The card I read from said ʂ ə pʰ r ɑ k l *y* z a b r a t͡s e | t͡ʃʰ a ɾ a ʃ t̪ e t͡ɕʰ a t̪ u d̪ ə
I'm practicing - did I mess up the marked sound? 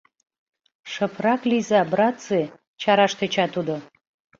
yes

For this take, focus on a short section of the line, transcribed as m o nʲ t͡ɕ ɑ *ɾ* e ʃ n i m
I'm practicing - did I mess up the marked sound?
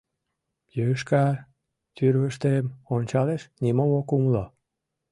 yes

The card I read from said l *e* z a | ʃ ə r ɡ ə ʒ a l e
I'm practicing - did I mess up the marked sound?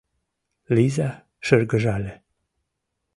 yes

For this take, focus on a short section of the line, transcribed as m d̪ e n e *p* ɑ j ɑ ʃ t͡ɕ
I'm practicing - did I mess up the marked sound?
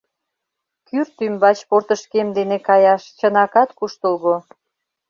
yes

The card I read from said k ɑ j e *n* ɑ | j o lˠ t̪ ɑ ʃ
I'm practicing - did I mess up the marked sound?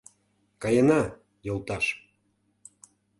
no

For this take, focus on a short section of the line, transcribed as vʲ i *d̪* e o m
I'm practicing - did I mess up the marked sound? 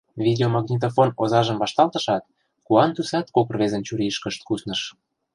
no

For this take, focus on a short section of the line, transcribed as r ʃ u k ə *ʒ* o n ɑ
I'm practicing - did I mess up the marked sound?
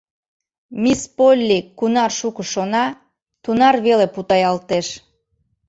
yes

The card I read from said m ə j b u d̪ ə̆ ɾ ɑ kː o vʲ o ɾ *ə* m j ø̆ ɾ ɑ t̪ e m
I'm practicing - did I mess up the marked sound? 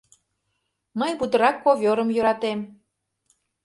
no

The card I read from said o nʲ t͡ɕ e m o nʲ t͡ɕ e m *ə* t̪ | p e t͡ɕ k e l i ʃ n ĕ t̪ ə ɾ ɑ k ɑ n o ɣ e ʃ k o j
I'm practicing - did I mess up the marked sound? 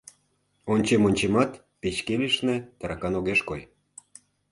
yes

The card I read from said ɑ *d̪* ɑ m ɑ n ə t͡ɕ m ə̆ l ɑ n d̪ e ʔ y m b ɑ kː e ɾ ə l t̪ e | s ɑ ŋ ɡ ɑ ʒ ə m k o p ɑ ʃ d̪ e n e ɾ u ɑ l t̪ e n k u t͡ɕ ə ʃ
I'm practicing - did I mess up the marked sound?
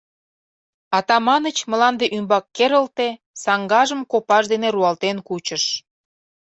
yes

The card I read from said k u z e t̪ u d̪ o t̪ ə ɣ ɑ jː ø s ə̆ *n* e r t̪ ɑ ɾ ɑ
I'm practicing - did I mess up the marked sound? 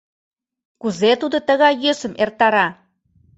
yes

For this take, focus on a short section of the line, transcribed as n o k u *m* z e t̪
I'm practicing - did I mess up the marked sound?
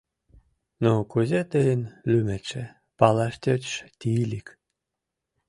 yes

